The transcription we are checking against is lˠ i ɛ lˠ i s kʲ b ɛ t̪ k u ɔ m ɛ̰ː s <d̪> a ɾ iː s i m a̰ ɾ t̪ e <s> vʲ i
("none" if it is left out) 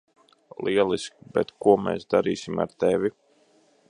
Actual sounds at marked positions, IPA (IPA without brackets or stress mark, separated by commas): d̪, none